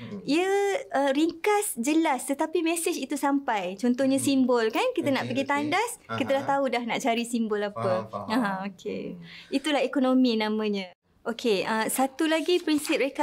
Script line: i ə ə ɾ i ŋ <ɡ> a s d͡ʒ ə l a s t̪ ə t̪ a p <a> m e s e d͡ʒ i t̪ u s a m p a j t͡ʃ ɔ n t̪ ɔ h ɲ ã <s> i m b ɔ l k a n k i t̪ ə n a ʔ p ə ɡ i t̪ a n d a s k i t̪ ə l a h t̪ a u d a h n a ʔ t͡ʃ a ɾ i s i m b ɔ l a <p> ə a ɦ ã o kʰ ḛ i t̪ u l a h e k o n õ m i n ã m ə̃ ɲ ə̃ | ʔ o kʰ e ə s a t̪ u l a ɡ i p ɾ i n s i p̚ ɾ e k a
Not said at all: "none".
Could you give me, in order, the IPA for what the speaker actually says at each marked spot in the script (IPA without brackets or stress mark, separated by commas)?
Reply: k, i, s, p